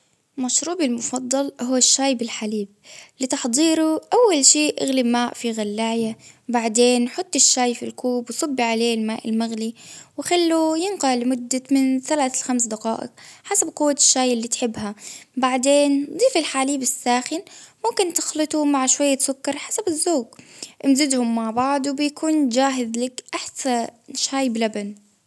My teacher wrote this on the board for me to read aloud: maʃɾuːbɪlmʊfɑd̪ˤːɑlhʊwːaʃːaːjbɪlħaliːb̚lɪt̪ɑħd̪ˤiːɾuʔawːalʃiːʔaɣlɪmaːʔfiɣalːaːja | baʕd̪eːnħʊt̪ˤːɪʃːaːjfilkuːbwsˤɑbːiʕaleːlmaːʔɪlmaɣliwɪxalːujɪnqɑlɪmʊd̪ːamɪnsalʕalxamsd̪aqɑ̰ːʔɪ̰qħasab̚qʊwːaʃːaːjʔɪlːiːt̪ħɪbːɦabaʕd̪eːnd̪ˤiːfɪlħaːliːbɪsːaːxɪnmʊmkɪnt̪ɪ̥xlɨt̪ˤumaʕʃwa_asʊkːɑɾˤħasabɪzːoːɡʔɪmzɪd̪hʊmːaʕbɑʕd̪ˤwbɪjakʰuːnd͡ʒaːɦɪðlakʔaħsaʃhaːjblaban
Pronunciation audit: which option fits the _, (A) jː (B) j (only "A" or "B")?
A